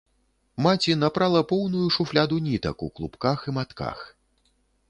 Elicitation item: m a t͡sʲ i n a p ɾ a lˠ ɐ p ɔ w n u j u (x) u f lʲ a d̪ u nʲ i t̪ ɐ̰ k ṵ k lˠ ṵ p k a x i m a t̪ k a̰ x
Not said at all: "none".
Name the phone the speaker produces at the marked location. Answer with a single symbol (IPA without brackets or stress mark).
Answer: ʂ